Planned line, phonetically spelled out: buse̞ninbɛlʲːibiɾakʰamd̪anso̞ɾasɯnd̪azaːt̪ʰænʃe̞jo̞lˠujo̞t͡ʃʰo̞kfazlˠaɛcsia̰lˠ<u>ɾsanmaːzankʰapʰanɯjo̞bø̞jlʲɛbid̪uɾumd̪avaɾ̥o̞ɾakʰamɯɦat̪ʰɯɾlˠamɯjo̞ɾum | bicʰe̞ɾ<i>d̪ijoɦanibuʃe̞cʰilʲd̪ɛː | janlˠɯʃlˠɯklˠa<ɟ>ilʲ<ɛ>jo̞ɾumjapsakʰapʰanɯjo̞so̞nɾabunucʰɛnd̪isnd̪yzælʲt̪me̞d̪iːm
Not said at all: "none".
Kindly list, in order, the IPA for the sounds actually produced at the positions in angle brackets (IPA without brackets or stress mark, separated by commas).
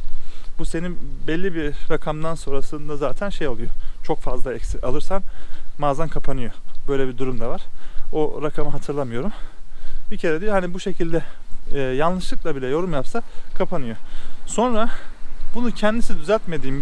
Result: ɯ, ɛ, b, ɛ